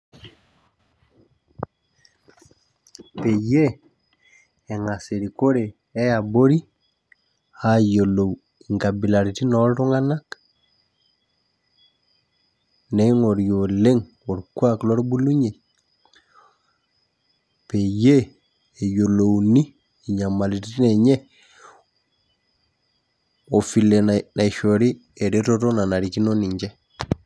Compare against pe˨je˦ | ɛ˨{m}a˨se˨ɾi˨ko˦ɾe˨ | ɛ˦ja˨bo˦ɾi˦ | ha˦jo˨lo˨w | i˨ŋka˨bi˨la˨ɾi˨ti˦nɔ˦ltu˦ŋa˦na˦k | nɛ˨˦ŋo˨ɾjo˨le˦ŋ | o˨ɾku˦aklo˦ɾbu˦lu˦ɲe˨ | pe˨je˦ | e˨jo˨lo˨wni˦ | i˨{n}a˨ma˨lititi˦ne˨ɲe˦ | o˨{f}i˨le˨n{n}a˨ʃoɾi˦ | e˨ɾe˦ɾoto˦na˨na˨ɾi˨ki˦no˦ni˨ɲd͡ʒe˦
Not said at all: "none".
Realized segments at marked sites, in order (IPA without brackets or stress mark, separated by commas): ŋ, ɲ, f, n